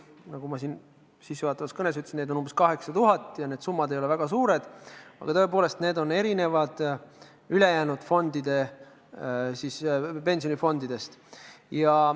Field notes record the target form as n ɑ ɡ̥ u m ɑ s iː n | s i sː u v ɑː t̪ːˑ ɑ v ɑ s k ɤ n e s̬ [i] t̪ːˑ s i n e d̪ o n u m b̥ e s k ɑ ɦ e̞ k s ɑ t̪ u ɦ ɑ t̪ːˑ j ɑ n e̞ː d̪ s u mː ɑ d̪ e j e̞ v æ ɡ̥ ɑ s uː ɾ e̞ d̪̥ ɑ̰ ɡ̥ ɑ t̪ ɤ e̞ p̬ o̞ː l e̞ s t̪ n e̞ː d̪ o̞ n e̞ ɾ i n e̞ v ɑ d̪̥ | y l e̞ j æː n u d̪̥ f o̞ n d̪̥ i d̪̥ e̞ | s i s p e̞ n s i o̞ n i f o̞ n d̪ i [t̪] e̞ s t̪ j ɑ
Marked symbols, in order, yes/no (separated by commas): no, no